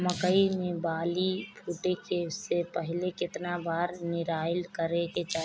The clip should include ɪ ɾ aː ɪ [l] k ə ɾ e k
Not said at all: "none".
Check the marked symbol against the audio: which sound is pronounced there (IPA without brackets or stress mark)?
l